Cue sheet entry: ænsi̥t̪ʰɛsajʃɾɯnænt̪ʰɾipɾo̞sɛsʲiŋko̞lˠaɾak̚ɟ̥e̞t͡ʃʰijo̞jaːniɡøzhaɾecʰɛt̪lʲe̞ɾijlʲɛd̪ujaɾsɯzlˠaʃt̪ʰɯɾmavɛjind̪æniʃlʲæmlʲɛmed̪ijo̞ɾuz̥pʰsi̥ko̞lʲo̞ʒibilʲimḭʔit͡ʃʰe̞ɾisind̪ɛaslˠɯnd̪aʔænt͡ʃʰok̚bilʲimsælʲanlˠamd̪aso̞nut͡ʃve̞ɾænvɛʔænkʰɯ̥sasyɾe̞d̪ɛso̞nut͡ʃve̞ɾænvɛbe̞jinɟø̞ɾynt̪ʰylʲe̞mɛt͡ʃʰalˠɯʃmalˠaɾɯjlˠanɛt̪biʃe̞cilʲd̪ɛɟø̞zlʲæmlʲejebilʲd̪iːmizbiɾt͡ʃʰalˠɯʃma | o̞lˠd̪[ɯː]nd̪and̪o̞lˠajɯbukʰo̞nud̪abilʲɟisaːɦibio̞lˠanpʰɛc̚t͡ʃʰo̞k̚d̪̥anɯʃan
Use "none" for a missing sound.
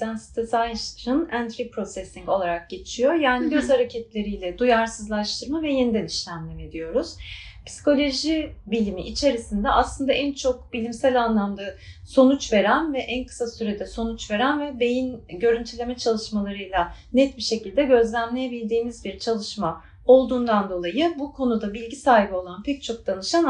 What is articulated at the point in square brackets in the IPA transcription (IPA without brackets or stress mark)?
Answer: uː